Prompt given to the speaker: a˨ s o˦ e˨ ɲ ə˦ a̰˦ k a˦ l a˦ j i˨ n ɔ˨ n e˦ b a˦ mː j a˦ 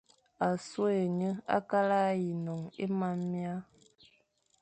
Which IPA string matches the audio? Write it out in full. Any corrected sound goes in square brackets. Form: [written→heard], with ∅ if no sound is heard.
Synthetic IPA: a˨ s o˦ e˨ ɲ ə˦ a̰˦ k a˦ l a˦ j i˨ n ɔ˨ [n→ŋ] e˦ [b→m] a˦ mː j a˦